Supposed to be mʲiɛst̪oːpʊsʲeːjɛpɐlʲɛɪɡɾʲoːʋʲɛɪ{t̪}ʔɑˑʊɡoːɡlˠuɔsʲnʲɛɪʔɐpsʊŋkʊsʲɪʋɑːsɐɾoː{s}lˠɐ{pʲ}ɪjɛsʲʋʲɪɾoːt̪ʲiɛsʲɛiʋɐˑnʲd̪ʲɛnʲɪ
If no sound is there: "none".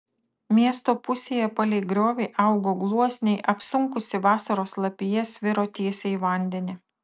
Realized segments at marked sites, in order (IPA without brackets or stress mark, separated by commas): none, s, pʲ